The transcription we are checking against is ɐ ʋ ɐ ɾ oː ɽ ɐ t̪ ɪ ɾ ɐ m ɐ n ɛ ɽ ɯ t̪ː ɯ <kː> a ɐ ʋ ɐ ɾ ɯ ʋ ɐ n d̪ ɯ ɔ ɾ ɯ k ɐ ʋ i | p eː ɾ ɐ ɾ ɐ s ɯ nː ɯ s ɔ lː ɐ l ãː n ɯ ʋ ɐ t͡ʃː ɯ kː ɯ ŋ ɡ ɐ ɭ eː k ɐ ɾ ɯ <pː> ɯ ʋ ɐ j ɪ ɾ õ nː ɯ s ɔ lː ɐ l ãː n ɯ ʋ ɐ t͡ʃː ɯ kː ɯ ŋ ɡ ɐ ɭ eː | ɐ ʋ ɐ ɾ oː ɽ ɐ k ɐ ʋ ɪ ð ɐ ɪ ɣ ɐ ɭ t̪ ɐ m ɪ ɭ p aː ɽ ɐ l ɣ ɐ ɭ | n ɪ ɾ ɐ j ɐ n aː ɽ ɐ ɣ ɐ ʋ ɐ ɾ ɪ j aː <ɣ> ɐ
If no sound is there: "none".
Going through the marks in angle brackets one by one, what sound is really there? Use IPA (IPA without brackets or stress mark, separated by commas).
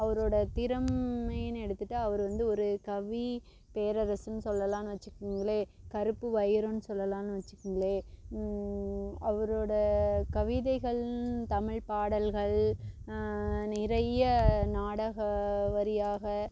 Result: ʈː, pː, ɣ